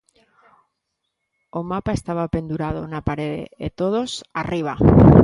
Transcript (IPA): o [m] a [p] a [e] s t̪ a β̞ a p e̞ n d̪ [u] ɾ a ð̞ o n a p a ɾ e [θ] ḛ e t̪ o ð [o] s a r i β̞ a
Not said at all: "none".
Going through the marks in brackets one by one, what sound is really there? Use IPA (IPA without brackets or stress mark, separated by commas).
m, p, e, u, ð, o